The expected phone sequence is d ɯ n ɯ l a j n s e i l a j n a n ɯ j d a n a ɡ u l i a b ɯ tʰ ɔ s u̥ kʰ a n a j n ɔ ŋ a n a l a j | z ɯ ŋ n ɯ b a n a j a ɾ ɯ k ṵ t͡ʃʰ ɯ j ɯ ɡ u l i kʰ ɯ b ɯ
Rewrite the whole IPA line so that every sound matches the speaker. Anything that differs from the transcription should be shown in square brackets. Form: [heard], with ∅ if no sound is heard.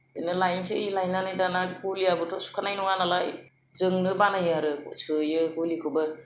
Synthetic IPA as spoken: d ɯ n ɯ l a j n s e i l a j n a n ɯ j d a n a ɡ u l i a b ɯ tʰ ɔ s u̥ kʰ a n a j n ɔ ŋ a n a l a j | z ɯ ŋ n ɯ b a n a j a ɾ ɯ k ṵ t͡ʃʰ ɯ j ɯ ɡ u l i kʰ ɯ b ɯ